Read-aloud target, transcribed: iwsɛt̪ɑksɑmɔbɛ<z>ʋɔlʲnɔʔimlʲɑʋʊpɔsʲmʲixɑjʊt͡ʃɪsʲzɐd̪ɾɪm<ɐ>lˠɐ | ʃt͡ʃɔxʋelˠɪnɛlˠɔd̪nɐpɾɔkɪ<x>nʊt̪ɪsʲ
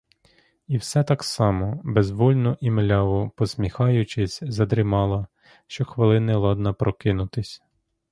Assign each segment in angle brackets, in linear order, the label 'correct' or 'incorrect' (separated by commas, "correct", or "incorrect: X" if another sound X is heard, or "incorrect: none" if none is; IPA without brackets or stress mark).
correct, incorrect: ɑ, incorrect: none